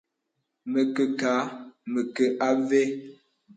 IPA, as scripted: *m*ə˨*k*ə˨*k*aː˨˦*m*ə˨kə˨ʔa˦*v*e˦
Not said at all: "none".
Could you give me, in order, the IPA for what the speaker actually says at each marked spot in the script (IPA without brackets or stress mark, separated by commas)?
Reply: m, k, k, m, v